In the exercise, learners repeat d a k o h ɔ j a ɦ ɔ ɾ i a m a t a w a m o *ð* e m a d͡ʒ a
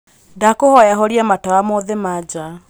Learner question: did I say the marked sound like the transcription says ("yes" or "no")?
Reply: yes